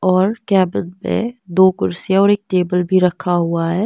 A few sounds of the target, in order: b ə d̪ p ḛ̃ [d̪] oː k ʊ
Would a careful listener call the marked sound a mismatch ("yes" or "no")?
no